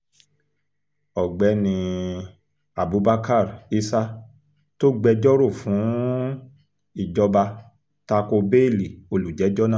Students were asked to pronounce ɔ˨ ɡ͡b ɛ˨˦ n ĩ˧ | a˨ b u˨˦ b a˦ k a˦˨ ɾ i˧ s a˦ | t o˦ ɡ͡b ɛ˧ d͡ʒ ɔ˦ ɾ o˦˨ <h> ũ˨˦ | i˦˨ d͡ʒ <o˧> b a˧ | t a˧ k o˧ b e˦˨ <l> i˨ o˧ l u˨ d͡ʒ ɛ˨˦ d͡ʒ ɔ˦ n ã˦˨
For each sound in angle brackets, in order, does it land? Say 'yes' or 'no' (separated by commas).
no, no, yes